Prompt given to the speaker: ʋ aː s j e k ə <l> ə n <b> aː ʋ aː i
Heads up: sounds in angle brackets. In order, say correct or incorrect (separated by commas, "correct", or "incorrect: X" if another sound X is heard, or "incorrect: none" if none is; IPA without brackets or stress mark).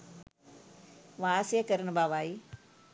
incorrect: ɾ, correct